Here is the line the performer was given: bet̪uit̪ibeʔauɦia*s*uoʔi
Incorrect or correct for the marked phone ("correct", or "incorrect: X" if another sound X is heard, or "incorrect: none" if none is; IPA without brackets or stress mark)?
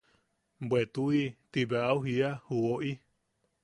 incorrect: h